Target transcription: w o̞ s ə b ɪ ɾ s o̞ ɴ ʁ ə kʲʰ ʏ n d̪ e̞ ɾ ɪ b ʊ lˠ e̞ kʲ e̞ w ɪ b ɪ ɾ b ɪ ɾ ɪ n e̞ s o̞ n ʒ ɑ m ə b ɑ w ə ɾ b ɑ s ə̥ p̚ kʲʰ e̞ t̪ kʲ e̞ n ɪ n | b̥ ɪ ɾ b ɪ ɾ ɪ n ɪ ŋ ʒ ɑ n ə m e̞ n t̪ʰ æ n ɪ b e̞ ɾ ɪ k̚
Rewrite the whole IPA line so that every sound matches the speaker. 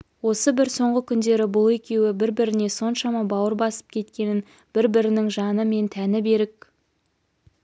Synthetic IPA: w o̞ s ə b ɪ ɾ s o̞ ɴ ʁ ə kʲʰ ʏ n d̪ e̞ ɾ ɪ b ʊ lˠ e̞ kʲ e̞ w ɪ b ɪ ɾ b ɪ ɾ ɪ n e̞ s o̞ n ʃ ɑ m ɑ b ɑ w ə ɾ b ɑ s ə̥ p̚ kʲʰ e̞ t̪ kʲ e̞ n ɪ n | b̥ ɪ ɾ b ɪ ɾ ɪ n ɪ ŋ ʒ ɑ n ə m e̞ n t̪ʰ æ n ɪ b e̞ ɾ ɪ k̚